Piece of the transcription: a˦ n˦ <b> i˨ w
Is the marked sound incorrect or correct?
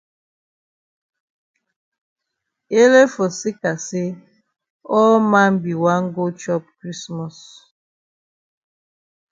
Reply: correct